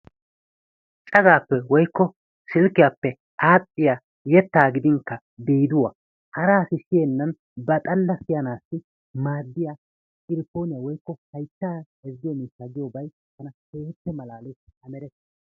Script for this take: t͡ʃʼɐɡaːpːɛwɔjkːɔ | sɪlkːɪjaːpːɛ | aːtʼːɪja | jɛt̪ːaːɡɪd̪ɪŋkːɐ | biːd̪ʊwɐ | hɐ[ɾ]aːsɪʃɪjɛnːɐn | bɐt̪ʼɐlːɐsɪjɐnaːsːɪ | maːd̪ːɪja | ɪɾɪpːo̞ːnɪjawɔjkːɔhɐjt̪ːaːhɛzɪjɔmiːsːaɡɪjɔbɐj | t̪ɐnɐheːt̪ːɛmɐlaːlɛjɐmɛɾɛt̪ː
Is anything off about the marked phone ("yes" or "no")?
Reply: no